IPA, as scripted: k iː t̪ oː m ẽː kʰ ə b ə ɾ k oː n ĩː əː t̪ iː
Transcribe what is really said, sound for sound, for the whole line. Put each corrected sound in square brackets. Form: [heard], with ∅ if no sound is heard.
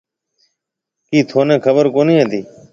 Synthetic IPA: k iː [t̪ʰ] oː [n] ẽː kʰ ə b ə ɾ k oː n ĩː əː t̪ iː

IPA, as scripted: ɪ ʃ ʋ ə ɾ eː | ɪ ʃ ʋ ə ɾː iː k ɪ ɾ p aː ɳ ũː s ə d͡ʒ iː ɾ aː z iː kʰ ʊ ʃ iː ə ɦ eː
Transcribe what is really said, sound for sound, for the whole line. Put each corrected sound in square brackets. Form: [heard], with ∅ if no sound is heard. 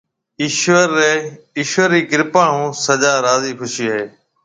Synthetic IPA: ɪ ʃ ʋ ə ɾ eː | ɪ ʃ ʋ ə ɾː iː k ɪ ɾ p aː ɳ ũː s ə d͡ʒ [aː] ɾ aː z iː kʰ ʊ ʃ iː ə ɦ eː

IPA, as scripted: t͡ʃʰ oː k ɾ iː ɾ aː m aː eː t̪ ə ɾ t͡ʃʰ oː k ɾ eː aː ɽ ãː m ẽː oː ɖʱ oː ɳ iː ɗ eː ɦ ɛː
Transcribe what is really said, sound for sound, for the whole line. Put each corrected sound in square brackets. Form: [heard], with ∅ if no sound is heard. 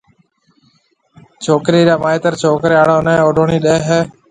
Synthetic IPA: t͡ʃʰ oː k ɾ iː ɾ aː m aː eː t̪ ə ɾ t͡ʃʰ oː k ɾ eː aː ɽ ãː [n] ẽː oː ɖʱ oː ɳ iː ɗ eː ɦ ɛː

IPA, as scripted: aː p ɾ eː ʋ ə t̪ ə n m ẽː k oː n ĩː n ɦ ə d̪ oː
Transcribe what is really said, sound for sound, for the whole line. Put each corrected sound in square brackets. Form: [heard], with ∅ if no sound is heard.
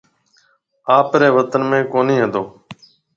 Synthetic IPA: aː p ɾ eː ʋ ə t̪ ə n m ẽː k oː n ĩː [∅] ɦ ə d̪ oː

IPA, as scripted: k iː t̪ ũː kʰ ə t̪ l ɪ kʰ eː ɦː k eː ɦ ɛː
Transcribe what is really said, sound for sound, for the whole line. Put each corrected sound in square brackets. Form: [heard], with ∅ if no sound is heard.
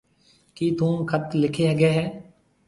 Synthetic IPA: k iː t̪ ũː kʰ ə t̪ l ɪ kʰ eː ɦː [ɡ] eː ɦ ɛː

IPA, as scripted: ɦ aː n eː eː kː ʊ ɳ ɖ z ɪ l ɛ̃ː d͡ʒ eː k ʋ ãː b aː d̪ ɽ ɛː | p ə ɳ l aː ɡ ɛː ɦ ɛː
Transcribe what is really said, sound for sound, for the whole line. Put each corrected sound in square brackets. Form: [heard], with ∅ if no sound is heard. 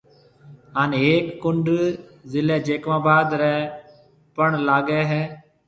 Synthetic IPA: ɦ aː n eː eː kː ʊ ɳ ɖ z ɪ l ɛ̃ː d͡ʒ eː k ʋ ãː b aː d̪ [ɾ] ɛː | p ə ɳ l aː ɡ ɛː ɦ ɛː

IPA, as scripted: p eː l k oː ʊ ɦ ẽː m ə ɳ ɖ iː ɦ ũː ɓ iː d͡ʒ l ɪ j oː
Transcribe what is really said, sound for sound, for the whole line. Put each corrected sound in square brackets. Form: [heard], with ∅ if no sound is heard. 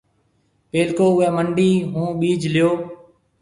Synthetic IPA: p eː l k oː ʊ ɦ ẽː m ə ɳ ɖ iː ɦ ũː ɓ iː d͡ʒ l ɪ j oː

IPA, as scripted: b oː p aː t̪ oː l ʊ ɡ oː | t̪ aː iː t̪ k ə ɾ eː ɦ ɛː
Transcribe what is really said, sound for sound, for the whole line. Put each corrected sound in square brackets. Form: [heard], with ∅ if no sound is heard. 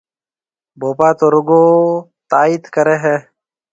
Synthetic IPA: b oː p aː t̪ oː [ɾ] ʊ ɡ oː | t̪ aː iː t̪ k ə ɾ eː ɦ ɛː

